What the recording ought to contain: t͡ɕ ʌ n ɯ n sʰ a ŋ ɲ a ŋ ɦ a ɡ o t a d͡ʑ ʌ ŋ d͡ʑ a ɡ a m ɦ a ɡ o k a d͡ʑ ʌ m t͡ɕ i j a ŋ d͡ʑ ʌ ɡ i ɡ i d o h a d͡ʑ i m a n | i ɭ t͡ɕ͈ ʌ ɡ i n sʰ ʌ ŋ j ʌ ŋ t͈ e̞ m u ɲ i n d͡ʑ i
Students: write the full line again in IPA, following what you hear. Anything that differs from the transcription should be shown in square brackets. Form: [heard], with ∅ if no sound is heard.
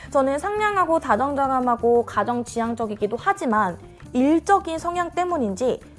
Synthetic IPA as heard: t͡ɕ ʌ n ɯ n sʰ a ŋ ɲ a ŋ ɦ a ɡ o t a d͡ʑ ʌ ŋ d͡ʑ a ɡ a m ɦ a ɡ o k a d͡ʑ ʌ [ŋ] t͡ɕ i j a ŋ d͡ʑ ʌ ɡ i ɡ i d o h a d͡ʑ i m a n | i ɭ t͡ɕ͈ ʌ ɡ i n sʰ ʌ ŋ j [a] ŋ t͈ e̞ m u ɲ i n d͡ʑ i